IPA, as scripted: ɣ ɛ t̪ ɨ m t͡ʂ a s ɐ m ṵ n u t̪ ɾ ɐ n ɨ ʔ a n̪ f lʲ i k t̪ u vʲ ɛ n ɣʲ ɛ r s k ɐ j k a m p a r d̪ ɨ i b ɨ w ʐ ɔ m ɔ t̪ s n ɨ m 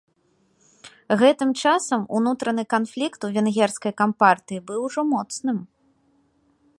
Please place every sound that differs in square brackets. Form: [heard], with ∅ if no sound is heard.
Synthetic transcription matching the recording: ɣ ɛ t̪ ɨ m t͡ʂ a s ɐ m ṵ n u t̪ ɾ ɐ n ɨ [k] a n̪ f lʲ i k t̪ u vʲ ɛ n ɣʲ ɛ r s k ɐ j k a m p a r [t̪] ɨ i b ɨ w ʐ ɔ m ɔ t̪ s n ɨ m